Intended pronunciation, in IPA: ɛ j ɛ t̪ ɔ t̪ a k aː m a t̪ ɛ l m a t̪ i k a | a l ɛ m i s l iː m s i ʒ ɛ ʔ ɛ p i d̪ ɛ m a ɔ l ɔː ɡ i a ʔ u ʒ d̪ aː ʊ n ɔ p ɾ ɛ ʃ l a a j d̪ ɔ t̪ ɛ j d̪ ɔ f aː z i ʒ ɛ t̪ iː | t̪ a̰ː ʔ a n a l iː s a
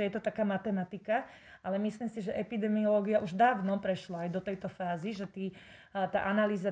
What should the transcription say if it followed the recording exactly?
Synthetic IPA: ɛ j ɛ t̪ ɔ t̪ a k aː m a t̪ ɛ m a t̪ i k a | a l ɛ m i s l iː m s i ʒ ɛ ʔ ɛ p i d̪ ɛ m i ɔ l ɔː ɡ i a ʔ u ʒ d̪ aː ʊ n ɔ p ɾ ɛ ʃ l a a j d̪ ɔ t̪ ɛ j t̪ ɔ f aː z i ʒ ɛ t̪ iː | t̪ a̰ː ʔ a n a l iː z a